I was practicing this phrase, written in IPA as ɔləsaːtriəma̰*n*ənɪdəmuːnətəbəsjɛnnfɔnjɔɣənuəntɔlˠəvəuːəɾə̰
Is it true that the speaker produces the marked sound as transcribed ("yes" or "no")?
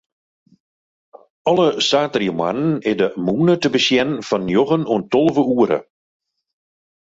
yes